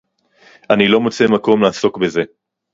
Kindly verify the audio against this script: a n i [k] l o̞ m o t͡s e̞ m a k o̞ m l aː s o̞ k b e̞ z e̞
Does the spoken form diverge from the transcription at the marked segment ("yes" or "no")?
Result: yes